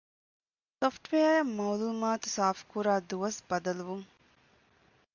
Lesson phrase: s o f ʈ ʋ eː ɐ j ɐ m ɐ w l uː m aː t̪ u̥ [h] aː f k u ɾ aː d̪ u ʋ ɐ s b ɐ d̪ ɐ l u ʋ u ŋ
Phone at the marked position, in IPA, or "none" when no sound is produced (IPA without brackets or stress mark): s